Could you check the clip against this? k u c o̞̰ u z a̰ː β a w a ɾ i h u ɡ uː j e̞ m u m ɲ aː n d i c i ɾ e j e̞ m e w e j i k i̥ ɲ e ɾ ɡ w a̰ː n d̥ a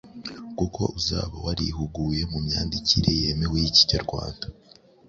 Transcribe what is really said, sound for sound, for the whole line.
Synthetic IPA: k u k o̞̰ u z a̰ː β a w a ɾ i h u ɡ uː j e̞ m u m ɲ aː n d i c i ɾ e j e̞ m e w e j i c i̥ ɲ a ɾ ɡ w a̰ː n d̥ a